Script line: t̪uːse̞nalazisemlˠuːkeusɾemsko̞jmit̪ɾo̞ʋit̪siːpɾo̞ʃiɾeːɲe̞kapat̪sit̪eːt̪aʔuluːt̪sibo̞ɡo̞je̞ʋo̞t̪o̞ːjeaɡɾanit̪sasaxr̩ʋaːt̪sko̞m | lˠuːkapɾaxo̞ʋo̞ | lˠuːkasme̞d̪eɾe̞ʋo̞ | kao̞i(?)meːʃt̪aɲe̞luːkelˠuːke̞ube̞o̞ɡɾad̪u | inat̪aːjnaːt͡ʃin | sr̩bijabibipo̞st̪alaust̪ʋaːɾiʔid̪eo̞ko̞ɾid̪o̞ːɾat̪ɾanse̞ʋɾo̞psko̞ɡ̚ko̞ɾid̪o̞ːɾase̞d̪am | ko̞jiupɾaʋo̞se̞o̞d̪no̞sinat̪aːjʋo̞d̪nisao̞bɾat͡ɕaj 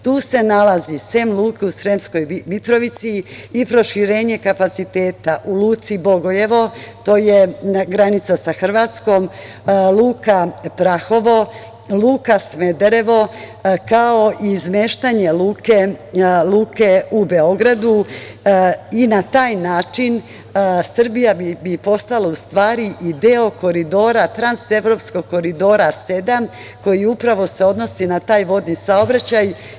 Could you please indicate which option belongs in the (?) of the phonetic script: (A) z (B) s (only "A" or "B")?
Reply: A